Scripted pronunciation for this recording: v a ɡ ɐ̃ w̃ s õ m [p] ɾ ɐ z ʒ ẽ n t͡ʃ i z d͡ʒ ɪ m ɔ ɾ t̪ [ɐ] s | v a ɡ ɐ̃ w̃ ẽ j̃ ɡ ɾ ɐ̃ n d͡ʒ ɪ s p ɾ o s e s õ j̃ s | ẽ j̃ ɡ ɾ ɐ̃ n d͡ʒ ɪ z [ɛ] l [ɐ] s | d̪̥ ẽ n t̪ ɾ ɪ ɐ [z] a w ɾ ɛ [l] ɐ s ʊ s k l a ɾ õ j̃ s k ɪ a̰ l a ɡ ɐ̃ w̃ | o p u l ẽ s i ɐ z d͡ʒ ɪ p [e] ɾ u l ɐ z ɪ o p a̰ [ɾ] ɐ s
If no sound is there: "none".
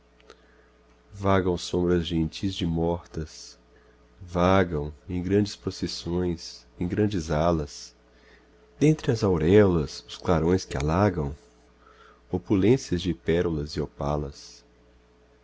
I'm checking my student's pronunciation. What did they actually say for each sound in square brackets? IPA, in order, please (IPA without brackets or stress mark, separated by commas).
b, ɐ, a, ɐ, z, l, ɛ, l